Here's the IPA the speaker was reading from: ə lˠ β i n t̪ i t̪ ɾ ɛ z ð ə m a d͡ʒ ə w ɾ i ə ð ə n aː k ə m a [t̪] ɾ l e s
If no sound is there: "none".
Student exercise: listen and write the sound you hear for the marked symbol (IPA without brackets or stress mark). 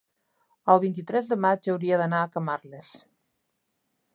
none